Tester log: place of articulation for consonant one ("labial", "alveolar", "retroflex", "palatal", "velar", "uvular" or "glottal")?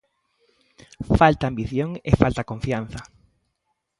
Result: labial